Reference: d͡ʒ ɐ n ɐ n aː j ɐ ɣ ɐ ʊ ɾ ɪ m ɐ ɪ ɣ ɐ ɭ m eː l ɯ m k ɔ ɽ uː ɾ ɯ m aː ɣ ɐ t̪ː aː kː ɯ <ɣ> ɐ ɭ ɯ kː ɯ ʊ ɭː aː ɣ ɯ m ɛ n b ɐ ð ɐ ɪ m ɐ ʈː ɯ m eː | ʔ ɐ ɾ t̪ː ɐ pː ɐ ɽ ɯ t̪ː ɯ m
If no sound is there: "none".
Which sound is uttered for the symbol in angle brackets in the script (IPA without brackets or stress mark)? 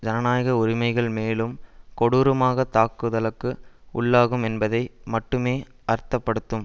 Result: ð